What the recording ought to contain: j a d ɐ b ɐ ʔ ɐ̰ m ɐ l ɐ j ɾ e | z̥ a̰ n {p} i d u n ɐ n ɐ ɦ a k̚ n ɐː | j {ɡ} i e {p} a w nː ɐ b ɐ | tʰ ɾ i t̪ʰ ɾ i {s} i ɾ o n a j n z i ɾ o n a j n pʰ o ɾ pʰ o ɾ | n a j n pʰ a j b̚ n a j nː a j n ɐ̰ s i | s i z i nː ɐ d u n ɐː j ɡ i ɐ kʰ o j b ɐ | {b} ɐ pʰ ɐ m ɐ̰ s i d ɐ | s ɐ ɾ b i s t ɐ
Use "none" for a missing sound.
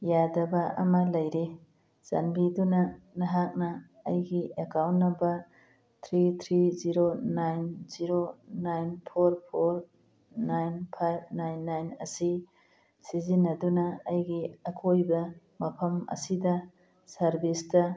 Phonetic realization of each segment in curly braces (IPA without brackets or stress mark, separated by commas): b, ɡ, k, z, m